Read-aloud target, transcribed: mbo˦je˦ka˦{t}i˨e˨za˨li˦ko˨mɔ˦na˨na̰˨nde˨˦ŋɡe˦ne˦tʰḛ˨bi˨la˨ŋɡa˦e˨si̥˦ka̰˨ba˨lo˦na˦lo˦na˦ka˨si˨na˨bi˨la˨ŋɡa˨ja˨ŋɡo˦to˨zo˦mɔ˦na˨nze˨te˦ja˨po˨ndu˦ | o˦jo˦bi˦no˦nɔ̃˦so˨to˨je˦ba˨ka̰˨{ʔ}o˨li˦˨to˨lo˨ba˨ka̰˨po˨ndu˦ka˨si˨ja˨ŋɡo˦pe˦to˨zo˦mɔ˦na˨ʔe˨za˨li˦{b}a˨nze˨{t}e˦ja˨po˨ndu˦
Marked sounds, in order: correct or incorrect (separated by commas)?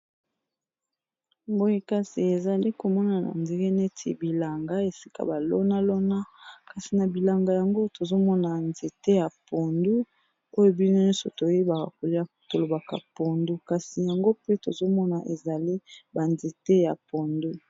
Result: incorrect, incorrect, correct, correct